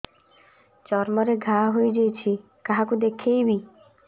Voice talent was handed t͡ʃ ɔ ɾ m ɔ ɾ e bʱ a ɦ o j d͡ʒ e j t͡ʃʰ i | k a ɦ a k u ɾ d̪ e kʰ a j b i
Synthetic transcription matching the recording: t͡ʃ ɔ ɾ m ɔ ɾ e ɡʱ a ɦ o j d͡ʒ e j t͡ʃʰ i | k a ɦ a k u d̪ e kʰ e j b i

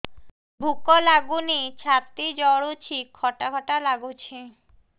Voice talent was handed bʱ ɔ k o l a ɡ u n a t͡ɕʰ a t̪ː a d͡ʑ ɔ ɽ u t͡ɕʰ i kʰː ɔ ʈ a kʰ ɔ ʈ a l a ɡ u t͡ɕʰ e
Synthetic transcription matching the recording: bʱ u k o l a ɡ u n i t͡ɕʰ a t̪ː i d͡ʑ ɔ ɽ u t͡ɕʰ i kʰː ɔ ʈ a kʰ ɔ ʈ a l a ɡ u t͡ɕʰ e

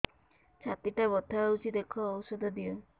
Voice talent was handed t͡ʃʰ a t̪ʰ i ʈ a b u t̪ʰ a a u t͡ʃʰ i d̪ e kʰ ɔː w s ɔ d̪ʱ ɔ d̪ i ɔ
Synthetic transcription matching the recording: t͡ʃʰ a t̪ i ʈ a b ɔ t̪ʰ a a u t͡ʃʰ i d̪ e kʰ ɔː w s ɔ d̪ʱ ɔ d̪ i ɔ

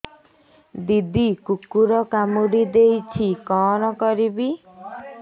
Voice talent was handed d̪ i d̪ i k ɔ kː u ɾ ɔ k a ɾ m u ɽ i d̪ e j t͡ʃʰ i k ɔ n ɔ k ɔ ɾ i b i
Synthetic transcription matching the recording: d̪ i d̪ i k u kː u ɾ ɔ k a m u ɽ i d̪ e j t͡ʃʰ i k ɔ n ɔ k ɔ ɾ i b i

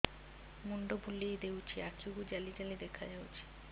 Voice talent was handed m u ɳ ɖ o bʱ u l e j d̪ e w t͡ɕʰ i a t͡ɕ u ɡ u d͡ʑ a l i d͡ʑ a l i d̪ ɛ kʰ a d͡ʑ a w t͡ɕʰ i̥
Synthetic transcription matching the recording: m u ɳ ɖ o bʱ u l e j d̪ e w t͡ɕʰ i a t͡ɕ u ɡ u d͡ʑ a l i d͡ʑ a l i d̪ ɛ kʰ a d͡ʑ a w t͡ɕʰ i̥

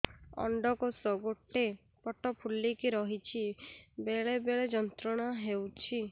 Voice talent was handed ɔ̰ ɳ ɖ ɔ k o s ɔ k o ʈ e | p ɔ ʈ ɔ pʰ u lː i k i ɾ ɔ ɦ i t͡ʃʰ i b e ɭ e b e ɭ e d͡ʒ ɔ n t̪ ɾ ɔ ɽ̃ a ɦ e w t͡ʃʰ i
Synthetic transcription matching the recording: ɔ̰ ɳ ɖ ɔ k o s ɔ ɡ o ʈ e | p ɔ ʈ ɔ pʰ u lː i k i ɾ ɔ ɦ i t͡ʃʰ i b e ɭ e b e ɭ e d͡ʒ ɔ n t̪ ɾ ɔ ɽ̃ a ɦ e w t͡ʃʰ i

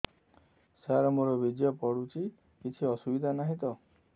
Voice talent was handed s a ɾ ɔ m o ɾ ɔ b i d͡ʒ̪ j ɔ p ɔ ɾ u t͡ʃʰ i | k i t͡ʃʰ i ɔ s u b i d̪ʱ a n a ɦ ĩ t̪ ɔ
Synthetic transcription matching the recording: s a ɾ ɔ m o ɾ ɔ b i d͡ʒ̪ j ɔ p ɔ ɽ u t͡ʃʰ i | k i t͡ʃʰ i ɔ s u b i d̪ʱ a n a ɦ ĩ t̪ ɔ

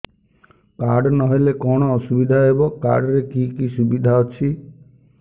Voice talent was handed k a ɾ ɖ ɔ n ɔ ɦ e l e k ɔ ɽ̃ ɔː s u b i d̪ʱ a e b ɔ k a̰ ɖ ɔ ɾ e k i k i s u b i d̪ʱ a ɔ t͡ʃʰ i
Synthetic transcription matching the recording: k a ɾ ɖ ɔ n ɔ ɦ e l e k ɔ ɽ̃ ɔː s u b i d̪ʱ a e b ɔ k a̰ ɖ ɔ ɾ e k i k i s u b i d̪ʱ a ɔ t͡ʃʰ i

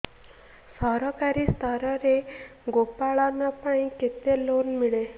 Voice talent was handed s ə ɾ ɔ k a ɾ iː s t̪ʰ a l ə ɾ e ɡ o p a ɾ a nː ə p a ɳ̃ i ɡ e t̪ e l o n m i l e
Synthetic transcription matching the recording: s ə ɾ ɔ k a ɾ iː s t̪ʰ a ɾ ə ɾ e ɡ o p a ɭ a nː a p a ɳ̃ i k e t̪ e l o n m i ɭ e

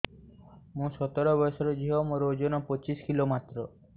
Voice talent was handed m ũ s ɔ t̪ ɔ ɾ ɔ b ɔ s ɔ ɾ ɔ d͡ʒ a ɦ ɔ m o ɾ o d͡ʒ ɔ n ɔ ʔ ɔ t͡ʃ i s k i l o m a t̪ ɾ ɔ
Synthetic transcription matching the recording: m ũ s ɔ t̪ ɔ ɾ ɔ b ɔ s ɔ ɾ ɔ d͡ʒ i ɦ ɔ m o ɾ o d͡ʒ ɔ n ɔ p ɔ t͡ʃ i s k i l o m a t̪ ɾ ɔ

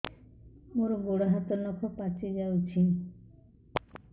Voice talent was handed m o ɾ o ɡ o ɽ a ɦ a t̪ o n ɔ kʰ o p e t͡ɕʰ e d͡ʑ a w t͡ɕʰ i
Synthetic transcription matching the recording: m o ɾ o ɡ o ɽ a ɦ a t̪ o n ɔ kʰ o p a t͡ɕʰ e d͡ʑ a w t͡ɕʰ i

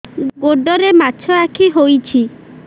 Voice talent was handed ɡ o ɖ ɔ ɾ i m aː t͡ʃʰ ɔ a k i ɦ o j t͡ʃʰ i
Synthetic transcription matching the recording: ɡ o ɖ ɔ ɾ e m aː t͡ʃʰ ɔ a kʰ i ɦ o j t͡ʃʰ i

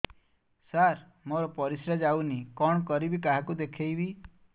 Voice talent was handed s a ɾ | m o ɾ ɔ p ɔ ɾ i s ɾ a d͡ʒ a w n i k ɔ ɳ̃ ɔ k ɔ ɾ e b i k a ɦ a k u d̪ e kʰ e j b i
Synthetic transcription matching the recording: s a ɾ | m o ɾ ɔ p ɔ ɾ i s ɾ a d͡ʒ a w n i k ɔ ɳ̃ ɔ k ɔ ɾ i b i k a ɦ a k u d̪ e kʰ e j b i

